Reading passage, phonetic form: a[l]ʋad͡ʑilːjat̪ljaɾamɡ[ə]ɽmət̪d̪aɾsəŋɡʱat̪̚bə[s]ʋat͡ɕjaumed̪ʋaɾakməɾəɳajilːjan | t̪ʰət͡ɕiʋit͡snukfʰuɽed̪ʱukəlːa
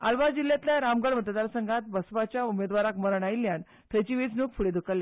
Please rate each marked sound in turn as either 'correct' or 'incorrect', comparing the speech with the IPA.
correct, correct, correct

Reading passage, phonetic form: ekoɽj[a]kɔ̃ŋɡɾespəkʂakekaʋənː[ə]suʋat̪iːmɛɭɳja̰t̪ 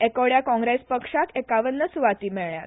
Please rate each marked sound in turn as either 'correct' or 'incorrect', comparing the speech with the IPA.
correct, correct

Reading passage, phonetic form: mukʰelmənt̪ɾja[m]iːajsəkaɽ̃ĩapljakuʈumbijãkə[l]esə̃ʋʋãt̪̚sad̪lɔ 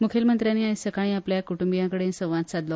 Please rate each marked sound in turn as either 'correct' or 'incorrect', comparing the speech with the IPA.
incorrect: n, incorrect: ɽ

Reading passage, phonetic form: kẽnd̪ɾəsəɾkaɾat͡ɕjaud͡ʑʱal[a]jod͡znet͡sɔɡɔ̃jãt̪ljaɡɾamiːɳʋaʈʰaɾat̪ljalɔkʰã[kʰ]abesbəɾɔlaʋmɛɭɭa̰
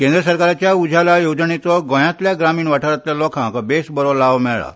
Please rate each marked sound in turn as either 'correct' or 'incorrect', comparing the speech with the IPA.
correct, incorrect: k

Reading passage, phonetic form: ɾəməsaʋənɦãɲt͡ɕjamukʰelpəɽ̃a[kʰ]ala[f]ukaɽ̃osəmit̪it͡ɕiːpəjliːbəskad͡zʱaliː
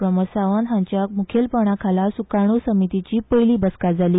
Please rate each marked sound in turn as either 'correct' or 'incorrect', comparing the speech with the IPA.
correct, incorrect: s

